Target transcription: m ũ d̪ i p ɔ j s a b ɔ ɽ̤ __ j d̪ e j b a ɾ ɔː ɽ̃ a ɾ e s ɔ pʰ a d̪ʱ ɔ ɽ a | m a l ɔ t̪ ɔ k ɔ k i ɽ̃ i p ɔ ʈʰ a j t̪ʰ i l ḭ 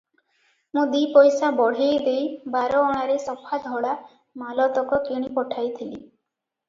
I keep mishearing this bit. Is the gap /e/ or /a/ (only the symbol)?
e